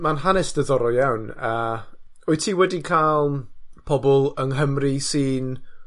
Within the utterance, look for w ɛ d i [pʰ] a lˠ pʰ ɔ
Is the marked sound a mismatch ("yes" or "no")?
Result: yes